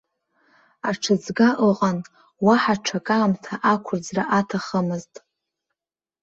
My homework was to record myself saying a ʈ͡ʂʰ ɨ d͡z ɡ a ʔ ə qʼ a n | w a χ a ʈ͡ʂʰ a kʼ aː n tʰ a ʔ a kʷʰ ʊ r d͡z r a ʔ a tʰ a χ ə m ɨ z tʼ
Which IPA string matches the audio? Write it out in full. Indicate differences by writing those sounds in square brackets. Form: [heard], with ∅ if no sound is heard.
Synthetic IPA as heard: a ʈ͡ʂʰ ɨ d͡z ɡ a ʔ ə qʼ a n | w a [ħ] a ʈ͡ʂʰ a kʼ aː [m] tʰ a ʔ a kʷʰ ʊ r d͡z r a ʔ a tʰ a χ ə m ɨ z tʼ